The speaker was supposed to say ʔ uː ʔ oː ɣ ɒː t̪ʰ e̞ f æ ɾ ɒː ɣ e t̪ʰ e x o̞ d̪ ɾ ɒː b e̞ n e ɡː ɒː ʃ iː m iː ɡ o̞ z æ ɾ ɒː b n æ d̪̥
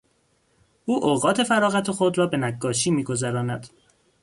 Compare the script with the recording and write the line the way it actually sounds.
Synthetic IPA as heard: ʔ uː ʔ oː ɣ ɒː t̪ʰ e̞ f æ ɾ ɒː ɣ æ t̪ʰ e x o̞ d̪ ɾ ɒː b e̞ n æ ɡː ɒː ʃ iː m iː ɡ o̞ z æ ɾ ɒː n æ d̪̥